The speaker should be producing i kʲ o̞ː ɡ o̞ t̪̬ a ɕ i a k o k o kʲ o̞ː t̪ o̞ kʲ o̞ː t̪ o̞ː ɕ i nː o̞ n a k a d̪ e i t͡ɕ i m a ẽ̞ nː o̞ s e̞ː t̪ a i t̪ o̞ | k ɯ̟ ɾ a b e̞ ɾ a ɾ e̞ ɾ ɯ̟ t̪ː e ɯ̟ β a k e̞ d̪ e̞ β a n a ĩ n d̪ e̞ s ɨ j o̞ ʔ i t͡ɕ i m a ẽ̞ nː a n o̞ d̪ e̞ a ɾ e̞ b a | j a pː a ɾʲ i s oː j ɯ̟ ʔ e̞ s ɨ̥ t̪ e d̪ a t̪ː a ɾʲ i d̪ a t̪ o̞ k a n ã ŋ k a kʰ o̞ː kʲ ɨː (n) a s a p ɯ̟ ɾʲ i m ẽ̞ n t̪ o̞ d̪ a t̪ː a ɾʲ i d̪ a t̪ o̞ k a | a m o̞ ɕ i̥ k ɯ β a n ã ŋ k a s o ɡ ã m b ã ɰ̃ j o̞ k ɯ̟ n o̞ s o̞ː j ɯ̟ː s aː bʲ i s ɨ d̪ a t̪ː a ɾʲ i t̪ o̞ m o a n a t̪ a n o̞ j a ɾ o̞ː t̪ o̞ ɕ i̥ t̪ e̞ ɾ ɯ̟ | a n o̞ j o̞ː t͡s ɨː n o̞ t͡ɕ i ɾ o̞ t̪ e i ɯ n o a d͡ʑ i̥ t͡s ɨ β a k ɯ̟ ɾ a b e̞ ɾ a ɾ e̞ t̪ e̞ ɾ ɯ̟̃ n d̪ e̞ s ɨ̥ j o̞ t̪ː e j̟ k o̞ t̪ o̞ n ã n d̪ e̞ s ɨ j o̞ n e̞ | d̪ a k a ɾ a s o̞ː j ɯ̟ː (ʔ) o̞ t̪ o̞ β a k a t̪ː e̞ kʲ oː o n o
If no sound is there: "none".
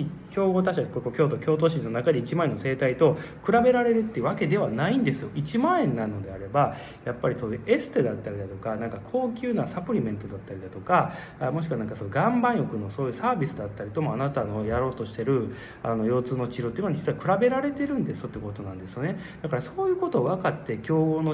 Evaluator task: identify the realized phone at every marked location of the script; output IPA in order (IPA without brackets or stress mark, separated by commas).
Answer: n, k